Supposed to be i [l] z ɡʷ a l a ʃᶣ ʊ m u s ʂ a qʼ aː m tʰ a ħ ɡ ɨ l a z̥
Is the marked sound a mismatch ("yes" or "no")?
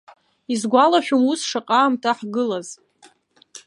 yes